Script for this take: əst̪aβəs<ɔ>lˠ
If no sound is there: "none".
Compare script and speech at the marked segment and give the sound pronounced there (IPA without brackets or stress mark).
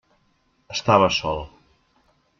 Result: ɔ